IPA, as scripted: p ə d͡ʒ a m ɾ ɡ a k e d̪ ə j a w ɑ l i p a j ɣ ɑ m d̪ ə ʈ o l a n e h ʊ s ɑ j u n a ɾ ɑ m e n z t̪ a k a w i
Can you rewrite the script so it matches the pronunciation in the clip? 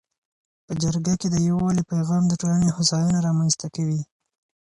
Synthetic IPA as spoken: p ə d͡ʒ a ɾ ɡ a k e d̪ ə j a w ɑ l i p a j ɣ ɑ m d̪ ə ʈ o l a n e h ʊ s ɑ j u n a ɾ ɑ m a n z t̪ a k a w i